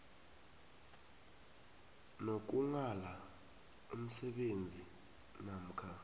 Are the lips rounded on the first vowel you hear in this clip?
yes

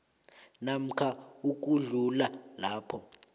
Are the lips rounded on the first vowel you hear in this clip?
no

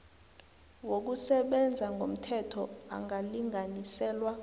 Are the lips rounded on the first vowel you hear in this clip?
yes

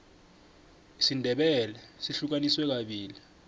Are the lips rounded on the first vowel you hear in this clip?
no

